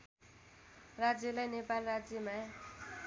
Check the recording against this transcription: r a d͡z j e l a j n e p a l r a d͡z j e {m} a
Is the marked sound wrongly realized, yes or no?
no